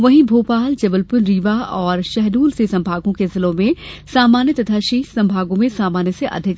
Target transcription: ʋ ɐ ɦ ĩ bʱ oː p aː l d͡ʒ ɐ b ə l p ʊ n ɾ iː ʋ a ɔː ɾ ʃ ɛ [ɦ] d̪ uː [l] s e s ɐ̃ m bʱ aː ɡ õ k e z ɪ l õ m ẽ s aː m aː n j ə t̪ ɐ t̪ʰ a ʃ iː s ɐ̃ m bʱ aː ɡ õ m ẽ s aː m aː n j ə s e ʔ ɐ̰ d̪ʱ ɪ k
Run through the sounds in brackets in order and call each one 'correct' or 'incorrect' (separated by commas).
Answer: correct, correct